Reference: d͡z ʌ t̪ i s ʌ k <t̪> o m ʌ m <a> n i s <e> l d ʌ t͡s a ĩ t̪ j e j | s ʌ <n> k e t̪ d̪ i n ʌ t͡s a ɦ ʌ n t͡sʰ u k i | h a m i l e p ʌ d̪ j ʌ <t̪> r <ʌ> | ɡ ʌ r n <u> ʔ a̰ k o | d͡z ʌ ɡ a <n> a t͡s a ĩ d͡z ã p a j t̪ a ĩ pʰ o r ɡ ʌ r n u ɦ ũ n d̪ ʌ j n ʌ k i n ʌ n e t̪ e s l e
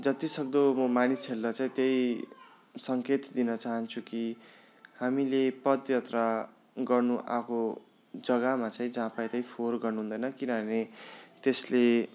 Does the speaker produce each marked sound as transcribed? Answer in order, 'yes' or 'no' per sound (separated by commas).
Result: no, yes, yes, no, yes, no, yes, no